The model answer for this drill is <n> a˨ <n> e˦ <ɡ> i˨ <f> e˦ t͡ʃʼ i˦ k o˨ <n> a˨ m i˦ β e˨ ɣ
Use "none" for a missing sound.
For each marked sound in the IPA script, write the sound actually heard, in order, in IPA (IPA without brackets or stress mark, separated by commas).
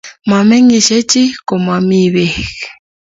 m, m, ŋ, ʃ, m